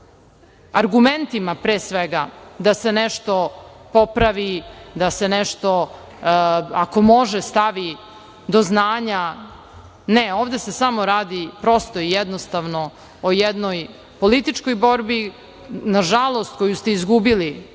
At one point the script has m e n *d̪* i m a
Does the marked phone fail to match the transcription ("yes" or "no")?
yes